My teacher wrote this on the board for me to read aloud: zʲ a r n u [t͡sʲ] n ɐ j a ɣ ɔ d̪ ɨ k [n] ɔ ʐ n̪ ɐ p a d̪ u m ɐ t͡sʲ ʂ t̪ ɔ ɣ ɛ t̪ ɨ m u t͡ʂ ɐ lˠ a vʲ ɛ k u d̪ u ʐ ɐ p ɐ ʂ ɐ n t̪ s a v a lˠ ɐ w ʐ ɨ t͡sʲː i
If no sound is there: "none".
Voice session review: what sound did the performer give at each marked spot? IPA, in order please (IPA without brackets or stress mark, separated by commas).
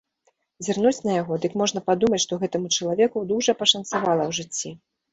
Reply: t͡sʲ, m